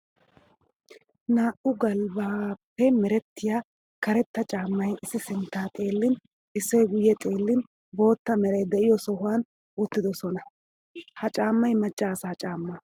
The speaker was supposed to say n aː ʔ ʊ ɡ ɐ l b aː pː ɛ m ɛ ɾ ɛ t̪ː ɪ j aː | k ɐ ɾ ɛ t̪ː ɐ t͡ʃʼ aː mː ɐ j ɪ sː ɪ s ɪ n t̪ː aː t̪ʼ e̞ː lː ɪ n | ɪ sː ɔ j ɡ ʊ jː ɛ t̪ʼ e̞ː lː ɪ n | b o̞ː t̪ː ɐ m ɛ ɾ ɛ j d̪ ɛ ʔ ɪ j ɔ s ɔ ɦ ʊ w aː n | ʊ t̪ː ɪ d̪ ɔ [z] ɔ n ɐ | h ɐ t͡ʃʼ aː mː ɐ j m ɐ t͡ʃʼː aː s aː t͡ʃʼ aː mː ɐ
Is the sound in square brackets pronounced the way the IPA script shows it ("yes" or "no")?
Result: no